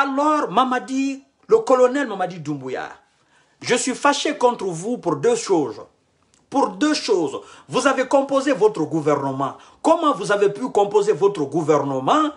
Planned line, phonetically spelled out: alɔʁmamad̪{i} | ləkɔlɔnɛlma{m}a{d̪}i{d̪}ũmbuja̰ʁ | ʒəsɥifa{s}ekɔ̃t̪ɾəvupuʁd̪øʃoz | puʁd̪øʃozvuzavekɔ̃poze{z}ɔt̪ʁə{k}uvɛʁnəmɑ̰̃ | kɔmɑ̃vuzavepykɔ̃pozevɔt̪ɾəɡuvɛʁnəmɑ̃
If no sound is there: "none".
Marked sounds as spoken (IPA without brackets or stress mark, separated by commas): i, m, d̪, d̪, ʃ, v, ɡ